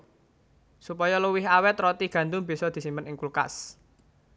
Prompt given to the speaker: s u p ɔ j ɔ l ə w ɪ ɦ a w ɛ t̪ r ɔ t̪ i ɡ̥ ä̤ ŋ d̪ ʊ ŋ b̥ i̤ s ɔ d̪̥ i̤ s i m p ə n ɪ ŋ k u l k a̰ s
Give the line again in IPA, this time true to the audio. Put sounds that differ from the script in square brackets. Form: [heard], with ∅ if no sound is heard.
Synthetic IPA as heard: s u p ɔ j ɔ l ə w ɪ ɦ a w ɛ t̪ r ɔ t̪ i ɡ̥ ä̤ [n] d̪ ʊ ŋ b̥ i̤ s ɔ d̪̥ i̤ s i m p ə n ɪ ŋ k u l k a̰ s